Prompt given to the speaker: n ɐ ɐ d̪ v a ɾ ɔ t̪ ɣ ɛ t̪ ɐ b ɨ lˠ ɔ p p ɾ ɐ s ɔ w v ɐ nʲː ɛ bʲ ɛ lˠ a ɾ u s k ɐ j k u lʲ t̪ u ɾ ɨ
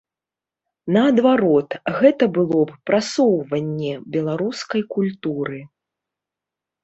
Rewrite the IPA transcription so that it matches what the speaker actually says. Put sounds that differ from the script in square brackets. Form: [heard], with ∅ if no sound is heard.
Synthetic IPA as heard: n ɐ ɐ d̪ v a ɾ ɔ t̪ ɣ ɛ t̪ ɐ b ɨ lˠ ɔ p p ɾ [a] s ɔ w v ɐ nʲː ɛ bʲ ɛ lˠ a ɾ u s k ɐ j k u lʲ t̪ u ɾ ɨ